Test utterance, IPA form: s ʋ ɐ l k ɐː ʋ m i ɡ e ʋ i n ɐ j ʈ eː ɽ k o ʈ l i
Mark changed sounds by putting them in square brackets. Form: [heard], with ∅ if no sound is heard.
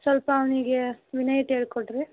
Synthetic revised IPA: s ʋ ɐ l [p] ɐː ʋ [n] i ɡ e ʋ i n ɐ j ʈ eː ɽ k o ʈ [ɾ] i